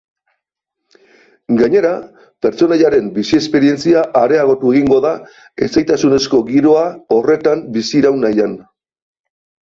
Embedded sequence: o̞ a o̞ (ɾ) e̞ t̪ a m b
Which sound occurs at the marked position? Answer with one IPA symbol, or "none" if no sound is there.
r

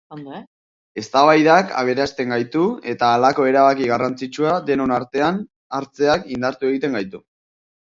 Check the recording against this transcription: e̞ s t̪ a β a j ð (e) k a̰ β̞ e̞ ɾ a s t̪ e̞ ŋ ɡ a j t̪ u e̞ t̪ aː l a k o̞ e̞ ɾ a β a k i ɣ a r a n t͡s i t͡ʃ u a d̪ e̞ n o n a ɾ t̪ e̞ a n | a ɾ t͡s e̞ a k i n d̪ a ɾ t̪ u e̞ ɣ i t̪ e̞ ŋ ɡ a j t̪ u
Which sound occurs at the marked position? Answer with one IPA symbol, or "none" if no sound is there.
a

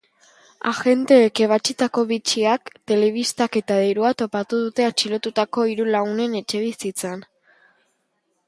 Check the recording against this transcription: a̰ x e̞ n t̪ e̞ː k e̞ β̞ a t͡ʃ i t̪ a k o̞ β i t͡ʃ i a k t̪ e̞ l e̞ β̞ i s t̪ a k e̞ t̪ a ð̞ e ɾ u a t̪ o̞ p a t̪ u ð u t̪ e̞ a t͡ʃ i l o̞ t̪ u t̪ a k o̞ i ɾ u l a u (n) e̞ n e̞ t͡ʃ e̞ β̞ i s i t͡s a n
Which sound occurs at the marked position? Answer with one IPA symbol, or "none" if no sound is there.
n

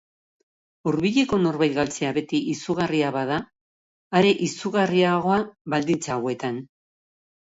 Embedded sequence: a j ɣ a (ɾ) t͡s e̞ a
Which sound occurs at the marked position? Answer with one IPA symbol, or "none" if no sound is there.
l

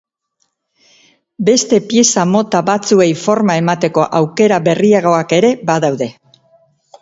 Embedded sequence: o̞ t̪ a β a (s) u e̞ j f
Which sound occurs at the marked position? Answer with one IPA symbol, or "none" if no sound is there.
t͡s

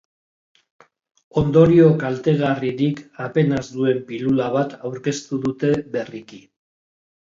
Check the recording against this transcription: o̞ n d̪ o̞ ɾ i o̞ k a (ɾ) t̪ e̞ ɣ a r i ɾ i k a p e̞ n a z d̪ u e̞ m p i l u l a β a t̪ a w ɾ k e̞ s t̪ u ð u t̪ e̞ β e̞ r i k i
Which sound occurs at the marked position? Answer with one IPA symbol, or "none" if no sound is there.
l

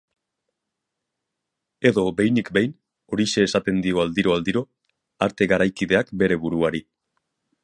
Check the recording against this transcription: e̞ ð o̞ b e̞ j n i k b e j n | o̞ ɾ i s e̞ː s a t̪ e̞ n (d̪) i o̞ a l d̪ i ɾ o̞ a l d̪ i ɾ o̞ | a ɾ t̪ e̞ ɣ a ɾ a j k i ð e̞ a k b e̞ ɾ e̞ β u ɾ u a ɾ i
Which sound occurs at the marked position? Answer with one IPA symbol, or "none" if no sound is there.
d̪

